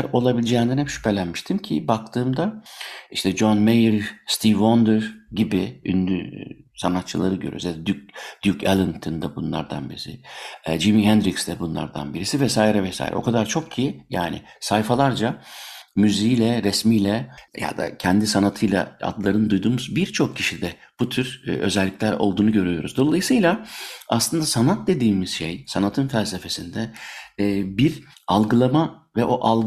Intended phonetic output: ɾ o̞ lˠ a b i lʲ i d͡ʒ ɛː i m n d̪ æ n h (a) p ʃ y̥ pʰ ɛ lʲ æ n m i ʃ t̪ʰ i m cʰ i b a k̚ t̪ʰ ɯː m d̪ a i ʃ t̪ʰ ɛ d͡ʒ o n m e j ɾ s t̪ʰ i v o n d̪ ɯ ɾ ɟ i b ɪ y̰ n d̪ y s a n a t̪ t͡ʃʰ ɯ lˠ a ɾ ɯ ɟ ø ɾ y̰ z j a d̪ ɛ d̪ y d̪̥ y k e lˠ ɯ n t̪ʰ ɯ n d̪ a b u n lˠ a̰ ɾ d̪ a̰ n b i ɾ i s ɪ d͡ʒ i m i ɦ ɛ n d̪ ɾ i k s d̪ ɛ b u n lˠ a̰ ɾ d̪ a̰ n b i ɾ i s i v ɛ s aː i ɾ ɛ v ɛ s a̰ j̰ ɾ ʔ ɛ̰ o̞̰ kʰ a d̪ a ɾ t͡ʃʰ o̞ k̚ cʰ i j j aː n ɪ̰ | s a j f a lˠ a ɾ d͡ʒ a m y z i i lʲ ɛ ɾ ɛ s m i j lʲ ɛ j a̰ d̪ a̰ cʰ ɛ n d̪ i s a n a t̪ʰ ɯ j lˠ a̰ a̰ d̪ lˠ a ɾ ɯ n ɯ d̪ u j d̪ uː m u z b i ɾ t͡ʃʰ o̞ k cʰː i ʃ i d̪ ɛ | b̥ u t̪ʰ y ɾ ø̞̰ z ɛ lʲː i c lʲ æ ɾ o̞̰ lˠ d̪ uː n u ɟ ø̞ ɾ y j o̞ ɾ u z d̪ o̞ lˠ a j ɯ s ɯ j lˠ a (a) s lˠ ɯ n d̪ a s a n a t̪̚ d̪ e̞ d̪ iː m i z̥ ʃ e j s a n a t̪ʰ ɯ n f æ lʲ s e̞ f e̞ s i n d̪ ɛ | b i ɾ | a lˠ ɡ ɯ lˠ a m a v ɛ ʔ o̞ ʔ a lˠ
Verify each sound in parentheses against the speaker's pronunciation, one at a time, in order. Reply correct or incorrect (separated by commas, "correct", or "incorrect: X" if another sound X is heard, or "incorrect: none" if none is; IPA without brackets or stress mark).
incorrect: ɛ, correct